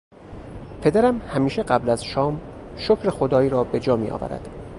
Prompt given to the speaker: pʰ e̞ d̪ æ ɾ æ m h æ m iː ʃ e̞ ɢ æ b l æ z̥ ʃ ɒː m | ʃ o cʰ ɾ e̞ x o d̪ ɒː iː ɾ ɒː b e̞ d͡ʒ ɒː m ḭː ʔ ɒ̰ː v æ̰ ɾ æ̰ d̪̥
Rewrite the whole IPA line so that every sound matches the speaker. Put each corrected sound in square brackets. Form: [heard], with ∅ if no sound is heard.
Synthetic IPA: pʰ e̞ d̪ æ ɾ æ m h æ m iː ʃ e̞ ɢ æ b l æ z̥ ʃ ɒː m | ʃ o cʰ ɾ e̞ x o d̪ ɒː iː ɾ ɒː b e̞ d͡ʒ ɒː m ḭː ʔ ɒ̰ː v æ̰ ɾ æ̰ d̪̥